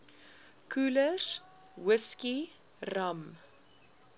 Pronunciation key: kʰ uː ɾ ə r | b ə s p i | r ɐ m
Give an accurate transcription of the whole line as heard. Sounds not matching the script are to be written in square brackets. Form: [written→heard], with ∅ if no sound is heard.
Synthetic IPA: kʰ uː [ɾ→l] ə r | [b→w] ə s [p→k] i | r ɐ m